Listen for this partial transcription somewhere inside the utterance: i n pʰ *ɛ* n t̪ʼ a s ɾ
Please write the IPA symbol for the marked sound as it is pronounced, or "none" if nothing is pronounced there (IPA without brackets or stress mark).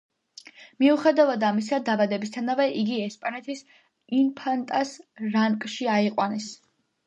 a